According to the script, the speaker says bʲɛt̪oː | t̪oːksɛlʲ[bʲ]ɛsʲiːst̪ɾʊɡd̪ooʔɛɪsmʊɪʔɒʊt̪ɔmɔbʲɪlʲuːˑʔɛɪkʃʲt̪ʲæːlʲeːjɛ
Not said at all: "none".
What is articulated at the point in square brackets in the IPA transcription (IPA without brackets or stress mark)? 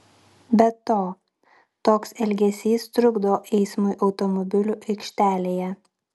ɡʲ